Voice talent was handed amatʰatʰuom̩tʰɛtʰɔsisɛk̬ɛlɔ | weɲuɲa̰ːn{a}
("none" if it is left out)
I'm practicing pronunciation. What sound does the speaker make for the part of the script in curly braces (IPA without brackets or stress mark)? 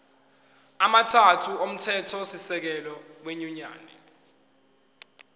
ɛ